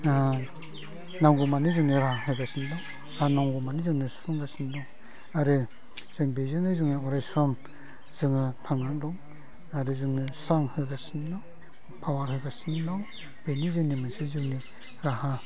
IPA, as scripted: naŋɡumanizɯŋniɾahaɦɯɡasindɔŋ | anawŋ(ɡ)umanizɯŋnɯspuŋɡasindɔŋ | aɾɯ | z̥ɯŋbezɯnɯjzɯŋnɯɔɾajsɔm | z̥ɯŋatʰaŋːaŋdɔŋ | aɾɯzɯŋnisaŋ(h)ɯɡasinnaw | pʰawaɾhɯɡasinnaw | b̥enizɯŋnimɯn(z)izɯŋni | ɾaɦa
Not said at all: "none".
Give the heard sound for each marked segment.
ɡ, h, s

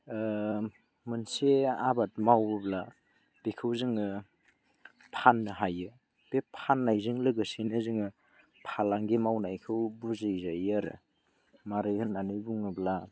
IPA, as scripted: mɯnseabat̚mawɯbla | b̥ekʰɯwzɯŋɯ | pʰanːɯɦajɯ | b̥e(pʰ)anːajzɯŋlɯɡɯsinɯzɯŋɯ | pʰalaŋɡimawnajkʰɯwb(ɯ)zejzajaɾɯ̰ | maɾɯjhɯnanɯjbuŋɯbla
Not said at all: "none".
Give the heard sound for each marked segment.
pʰ, u

